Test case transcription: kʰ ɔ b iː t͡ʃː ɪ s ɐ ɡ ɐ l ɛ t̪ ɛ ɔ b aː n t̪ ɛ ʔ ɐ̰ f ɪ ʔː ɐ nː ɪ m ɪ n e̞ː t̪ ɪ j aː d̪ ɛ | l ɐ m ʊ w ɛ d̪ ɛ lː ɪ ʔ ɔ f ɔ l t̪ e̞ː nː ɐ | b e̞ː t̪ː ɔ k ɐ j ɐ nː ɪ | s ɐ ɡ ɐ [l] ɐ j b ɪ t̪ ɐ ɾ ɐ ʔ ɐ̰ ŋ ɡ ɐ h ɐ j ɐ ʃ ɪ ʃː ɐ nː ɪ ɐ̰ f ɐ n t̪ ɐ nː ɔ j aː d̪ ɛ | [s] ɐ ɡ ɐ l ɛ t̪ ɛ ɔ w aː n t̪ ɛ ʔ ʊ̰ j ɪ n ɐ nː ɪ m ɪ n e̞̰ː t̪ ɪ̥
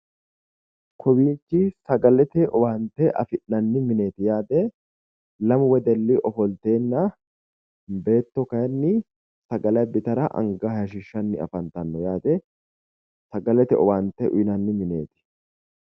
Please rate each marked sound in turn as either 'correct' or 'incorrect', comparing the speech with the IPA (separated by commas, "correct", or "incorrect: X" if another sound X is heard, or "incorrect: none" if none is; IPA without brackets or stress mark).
correct, correct